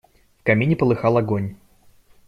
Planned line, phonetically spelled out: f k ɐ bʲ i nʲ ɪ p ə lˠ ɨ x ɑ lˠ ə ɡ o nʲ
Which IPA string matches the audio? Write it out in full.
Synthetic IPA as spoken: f k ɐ mʲ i nʲ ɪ p ə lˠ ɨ x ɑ lˠ ɐ ɡ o nʲ